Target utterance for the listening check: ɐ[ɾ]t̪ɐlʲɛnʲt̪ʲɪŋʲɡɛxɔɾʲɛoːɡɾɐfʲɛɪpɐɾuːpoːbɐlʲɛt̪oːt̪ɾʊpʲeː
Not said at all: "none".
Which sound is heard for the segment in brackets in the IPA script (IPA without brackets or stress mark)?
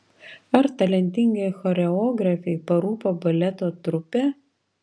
ɾ